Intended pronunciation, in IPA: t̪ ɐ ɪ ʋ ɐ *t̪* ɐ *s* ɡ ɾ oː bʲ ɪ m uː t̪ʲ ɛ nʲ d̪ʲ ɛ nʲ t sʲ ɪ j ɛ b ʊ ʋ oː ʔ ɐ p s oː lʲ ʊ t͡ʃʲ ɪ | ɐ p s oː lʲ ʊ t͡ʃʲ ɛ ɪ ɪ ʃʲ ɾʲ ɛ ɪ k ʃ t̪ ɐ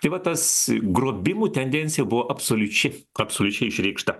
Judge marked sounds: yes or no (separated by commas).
yes, yes